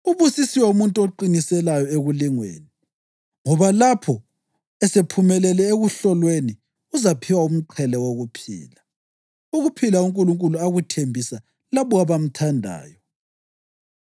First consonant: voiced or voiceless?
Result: voiced